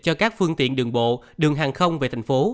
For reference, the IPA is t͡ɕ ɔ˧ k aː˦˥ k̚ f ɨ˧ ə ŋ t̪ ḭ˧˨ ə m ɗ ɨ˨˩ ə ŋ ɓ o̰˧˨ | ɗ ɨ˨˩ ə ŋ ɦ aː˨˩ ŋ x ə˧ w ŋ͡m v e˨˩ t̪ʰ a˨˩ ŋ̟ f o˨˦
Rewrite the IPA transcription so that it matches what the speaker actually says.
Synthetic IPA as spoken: t͡ɕ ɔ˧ k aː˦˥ k̚ f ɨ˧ ə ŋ t̪ ḭ˧˨ ə n ɗ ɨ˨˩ ə ŋ ɓ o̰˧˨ | ɗ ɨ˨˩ ə ŋ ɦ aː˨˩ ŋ x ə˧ w ŋ͡m v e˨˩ t̪ʰ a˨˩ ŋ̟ f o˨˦